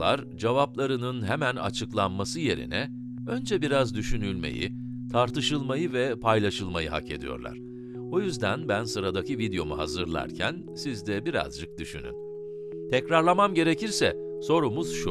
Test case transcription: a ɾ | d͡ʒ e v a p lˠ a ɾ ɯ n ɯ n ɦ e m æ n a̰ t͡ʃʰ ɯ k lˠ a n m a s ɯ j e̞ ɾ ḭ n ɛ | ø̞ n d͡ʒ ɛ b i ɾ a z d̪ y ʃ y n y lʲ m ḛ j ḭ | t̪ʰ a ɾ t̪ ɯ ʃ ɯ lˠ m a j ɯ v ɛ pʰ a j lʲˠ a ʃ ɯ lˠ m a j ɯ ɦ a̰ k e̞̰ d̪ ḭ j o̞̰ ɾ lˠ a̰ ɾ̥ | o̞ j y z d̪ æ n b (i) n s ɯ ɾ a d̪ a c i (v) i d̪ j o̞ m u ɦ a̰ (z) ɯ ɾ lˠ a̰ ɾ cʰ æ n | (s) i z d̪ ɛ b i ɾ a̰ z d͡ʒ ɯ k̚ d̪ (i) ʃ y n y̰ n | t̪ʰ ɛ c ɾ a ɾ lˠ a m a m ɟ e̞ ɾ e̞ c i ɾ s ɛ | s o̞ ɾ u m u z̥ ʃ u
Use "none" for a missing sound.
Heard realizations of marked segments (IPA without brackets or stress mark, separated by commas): æ, v, z, s, y